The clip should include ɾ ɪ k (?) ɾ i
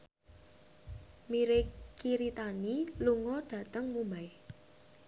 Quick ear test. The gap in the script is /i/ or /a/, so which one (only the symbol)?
i